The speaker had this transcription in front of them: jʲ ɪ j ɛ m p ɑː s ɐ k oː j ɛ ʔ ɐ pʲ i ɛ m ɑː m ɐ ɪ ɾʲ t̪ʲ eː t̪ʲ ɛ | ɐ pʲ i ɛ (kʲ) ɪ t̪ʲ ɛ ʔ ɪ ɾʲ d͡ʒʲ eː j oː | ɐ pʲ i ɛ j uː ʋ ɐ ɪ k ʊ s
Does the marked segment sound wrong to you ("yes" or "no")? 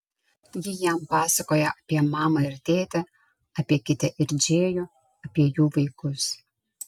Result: no